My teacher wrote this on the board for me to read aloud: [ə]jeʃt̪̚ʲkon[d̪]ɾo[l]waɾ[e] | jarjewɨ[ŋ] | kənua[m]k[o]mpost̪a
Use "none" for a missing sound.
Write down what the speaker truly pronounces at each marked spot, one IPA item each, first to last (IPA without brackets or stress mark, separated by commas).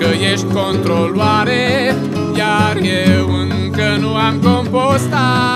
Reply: ə, t̪, l, e, ŋ, m, o